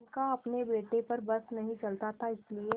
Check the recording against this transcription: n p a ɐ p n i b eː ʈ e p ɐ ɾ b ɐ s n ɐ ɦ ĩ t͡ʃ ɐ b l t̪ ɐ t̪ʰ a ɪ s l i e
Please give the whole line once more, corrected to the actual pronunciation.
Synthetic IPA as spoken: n k a ɐ p n e b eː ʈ e p ɐ ɾ b ɐ s n ɐ ɦ ĩ t͡ʃ ɐ l t̪ a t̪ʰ a ɪ s l i e